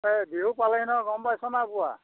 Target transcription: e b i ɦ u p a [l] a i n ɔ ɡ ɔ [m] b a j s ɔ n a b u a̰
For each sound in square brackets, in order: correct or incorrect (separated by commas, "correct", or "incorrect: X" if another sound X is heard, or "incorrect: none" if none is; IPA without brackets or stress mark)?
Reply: correct, correct